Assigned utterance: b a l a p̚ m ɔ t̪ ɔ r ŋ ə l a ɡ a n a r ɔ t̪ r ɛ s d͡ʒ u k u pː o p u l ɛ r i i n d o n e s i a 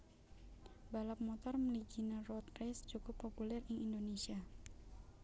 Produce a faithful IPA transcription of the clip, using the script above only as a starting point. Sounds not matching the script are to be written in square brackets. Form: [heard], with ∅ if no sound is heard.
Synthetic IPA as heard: b a l a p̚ m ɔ t̪ ɔ r [m] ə l [i] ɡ [i] n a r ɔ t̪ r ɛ s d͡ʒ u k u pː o p u l ɛ r i i n d o n e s i a

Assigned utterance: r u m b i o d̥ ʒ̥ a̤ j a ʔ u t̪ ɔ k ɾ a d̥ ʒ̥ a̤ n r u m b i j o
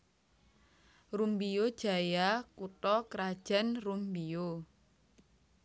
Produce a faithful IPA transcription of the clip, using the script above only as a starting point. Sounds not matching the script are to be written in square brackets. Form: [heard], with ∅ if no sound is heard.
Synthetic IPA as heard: r u m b i o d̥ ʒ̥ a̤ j a [k] u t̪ ɔ k ɾ a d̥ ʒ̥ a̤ n r u m b i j o

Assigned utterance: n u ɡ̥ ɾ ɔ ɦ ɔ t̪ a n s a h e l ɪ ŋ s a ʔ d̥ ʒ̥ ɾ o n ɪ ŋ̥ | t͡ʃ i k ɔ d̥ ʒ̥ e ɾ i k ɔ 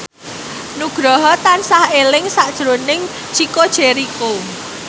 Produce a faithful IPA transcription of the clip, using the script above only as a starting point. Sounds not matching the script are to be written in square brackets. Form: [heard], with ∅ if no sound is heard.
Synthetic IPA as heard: n u ɡ̥ ɾ ɔ ɦ ɔ t̪ a n s a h e l ɪ ŋ s a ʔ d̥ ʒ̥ ɾ o n ɪ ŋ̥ | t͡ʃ i k [o] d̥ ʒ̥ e ɾ i k [o]

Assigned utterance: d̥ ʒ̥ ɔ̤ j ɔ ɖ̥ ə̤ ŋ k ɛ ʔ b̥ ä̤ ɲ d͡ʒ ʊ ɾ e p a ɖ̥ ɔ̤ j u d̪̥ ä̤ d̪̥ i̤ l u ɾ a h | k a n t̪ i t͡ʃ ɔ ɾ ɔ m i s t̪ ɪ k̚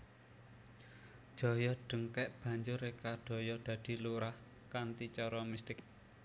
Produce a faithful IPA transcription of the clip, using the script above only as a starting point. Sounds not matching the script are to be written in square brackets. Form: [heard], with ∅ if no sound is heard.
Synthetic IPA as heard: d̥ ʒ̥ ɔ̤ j ɔ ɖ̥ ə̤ ŋ k ɛ ʔ b̥ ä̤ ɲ d͡ʒ ʊ ɾ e [k] a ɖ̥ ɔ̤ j [ɔ] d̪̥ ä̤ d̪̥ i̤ l u ɾ a h | k a n t̪ i t͡ʃ ɔ ɾ ɔ m i s t̪ ɪ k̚

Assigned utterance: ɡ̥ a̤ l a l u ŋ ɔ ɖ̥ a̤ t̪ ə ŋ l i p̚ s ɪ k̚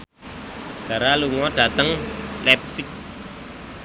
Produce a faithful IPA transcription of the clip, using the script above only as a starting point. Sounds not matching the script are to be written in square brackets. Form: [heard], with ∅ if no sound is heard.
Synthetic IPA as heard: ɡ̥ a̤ [ɾ] a l u ŋ ɔ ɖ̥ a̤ t̪ ə ŋ l [ɛ] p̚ s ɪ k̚

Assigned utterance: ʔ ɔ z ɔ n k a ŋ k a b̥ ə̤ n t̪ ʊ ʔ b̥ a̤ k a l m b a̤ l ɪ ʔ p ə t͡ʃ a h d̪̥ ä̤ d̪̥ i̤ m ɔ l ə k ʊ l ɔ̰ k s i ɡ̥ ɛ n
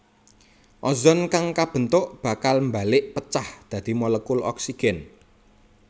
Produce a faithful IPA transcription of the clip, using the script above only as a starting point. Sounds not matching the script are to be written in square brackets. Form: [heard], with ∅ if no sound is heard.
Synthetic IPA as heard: ʔ ɔ z ɔ n k a ŋ k a b̥ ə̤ n t̪ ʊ ʔ b̥ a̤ k a l m b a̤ l ɪ ʔ p ə t͡ʃ a h d̪̥ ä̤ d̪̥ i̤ m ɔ l ə k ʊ l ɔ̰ k s i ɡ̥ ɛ n

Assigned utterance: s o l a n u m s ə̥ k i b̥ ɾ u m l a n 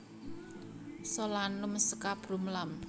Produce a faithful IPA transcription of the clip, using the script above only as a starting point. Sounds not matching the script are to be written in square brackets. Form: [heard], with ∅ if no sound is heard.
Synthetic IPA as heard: s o l a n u m s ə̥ k [a] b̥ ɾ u m l a [m]

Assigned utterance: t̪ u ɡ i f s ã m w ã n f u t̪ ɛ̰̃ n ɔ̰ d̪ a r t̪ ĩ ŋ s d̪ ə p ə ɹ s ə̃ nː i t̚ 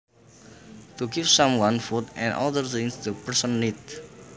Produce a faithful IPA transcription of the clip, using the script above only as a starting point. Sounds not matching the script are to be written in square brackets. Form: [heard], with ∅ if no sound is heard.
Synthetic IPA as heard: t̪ u ɡ i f s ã m w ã n f u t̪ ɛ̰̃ n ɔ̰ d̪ [ə] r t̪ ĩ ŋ s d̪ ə p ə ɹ s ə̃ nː i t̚

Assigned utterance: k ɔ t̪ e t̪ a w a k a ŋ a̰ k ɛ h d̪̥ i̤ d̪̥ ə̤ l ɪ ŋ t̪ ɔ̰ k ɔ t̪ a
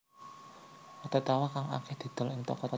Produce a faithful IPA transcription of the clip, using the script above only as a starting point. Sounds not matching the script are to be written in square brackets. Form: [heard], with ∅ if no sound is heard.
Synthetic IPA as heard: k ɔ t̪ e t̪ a w a k a ŋ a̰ k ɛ h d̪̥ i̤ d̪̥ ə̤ l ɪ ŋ t̪ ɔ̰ k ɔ t̪ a

